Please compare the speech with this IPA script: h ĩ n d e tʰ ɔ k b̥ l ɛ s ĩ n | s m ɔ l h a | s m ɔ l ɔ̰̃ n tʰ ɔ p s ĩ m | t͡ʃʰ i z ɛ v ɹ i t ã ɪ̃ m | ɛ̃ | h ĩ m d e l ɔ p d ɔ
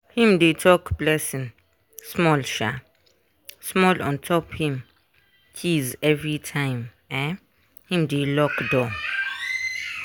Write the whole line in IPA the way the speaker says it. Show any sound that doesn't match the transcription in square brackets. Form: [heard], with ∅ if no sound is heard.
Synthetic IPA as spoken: h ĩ [m] d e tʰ ɔ k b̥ l ɛ s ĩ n | s m ɔ l [ʃ] a | s m ɔ l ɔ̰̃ n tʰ ɔ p [h] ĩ m | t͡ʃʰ i z ɛ v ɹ i [tʰ] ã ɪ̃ m | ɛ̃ | h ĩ m d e l ɔ [k] d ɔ